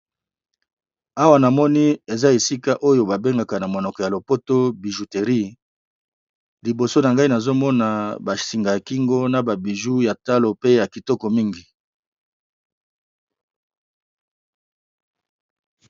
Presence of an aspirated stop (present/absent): absent